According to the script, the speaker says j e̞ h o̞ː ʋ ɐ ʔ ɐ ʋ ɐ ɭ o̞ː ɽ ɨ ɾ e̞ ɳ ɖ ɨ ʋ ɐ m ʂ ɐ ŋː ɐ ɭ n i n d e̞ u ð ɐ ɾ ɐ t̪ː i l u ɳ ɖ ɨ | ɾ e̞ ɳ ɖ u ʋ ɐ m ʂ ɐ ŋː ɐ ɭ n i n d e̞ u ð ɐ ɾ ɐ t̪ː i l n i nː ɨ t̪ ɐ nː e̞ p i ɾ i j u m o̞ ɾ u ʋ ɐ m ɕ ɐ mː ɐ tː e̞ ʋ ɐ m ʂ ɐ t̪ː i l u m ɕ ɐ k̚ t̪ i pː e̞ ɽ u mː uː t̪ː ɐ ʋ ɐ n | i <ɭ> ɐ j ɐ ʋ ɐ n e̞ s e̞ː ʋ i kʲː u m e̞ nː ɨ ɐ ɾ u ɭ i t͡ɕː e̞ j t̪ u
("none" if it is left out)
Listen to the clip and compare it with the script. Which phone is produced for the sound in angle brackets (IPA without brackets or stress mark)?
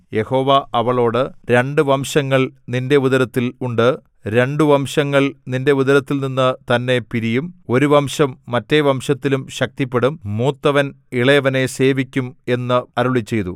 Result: ɭ